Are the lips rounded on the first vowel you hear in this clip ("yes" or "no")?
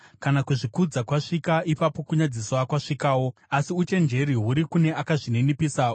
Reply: no